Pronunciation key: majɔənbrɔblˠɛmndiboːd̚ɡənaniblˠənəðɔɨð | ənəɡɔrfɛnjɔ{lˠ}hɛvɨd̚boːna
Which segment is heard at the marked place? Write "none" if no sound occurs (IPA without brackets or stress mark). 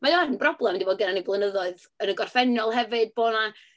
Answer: lˠ